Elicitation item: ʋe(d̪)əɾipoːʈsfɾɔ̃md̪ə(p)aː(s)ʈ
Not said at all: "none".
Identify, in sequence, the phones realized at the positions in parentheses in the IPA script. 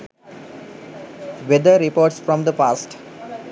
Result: d̪, p, s

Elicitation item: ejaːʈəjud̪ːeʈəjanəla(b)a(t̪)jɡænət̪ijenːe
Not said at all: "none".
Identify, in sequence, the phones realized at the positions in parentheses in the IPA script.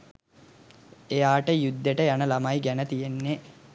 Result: m, none

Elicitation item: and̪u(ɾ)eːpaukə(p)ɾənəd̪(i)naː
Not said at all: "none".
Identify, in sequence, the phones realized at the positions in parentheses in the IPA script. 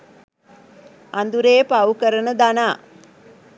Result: ɾ, none, a

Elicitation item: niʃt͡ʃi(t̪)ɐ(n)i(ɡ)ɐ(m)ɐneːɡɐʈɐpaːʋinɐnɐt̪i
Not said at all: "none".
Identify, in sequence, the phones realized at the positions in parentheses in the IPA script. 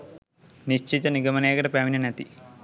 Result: t̪, n, ɡ, m

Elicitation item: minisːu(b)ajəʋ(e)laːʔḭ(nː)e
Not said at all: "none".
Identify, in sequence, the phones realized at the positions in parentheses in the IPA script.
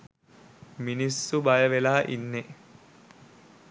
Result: b, e, nː

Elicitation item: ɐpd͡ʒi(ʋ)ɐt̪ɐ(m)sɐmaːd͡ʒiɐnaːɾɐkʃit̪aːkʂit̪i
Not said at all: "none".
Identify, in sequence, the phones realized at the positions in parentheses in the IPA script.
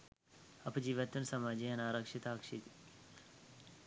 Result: ʋ, n

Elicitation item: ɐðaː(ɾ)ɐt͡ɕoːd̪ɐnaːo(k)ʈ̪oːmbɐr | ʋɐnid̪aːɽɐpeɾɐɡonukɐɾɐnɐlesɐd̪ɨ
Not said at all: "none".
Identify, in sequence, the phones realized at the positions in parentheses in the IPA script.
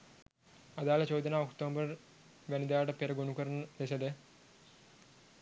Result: l, k

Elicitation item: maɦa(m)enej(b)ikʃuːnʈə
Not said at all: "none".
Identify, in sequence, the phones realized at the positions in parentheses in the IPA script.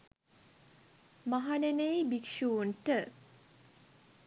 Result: n, b

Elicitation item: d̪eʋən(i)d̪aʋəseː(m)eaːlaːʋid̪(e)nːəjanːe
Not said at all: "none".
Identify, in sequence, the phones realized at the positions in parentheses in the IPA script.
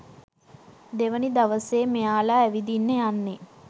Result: i, m, i

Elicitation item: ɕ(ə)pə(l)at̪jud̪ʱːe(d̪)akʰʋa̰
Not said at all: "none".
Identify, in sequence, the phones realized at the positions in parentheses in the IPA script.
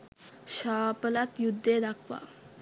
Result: a, l, d̪

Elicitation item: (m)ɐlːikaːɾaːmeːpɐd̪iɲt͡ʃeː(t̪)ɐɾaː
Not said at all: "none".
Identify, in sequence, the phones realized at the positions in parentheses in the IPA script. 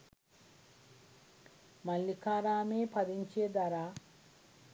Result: m, d̪

